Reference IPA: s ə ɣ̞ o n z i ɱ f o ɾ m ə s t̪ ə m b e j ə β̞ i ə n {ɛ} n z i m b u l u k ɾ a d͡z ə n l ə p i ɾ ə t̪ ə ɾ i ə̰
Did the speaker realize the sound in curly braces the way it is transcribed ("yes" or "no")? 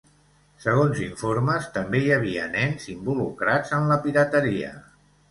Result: yes